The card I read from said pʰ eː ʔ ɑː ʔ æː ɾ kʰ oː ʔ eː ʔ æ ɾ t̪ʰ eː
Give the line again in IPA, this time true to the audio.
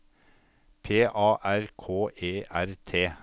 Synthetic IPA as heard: pʰ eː ʔ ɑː ʔ æ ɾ kʰ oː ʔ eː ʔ æ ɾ t̪ʰ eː